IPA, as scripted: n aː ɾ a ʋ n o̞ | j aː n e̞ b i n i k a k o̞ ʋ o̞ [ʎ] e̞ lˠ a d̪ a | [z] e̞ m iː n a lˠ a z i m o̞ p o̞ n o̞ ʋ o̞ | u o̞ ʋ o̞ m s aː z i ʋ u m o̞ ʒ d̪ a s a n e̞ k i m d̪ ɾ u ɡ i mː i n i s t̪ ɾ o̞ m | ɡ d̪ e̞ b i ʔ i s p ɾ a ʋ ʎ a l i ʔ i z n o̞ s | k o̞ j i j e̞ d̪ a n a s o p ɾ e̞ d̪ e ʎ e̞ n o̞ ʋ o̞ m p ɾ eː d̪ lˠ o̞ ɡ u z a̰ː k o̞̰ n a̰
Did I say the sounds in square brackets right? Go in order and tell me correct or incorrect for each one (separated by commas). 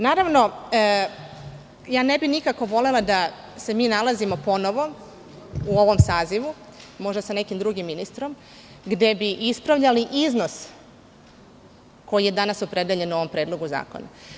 incorrect, incorrect